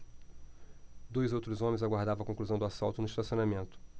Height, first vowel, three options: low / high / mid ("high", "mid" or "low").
mid